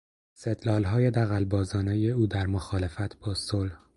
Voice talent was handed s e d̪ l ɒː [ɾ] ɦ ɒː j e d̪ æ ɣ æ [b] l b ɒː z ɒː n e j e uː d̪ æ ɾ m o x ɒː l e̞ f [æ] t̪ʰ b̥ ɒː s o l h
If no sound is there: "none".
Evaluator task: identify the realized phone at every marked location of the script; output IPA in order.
l, none, æ

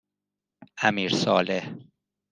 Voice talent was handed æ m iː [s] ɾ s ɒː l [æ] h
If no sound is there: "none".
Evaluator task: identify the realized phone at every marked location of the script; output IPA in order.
none, e

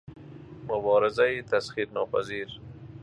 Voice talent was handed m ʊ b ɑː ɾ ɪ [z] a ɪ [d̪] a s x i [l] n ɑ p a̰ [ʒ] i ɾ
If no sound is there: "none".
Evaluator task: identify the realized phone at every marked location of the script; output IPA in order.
z, t̪, ɾ, z

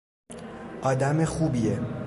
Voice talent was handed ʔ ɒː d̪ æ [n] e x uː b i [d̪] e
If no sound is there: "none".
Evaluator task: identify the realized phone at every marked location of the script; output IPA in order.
m, none

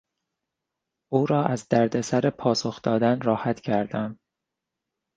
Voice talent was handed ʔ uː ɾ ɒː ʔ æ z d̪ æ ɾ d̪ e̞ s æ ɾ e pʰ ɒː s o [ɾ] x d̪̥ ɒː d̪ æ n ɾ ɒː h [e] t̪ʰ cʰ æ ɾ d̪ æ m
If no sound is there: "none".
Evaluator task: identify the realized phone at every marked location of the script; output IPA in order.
none, æ

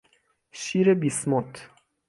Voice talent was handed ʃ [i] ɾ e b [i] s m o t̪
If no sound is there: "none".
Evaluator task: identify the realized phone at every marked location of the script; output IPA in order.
i, i

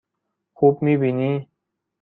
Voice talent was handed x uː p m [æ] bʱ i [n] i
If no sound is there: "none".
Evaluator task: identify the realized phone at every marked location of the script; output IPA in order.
i, n

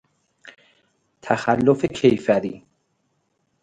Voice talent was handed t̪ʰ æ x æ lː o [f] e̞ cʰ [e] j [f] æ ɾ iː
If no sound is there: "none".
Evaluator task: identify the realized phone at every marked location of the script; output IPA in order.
f, e, f

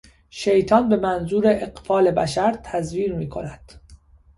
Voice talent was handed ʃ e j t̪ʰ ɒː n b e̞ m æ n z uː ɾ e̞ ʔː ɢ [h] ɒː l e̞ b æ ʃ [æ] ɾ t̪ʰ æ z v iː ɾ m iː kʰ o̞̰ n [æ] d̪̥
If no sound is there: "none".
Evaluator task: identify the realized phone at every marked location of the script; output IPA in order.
f, æ, æ

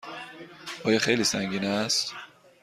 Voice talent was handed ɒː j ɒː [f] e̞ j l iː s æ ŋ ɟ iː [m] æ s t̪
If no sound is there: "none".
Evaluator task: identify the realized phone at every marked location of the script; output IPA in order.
x, n

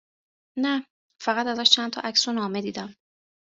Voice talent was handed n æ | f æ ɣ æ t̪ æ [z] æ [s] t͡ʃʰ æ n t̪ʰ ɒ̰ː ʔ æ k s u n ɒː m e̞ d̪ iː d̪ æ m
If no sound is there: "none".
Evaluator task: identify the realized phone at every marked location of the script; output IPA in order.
z, ʃ

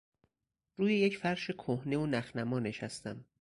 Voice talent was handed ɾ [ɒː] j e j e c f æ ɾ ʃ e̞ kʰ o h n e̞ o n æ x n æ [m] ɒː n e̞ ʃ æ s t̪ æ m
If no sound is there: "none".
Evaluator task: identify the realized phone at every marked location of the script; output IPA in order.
uː, m

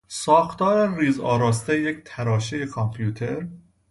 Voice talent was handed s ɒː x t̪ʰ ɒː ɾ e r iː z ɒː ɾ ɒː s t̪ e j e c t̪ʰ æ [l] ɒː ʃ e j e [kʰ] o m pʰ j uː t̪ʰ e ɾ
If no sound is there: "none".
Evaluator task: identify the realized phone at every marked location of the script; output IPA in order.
ɾ, kʰ

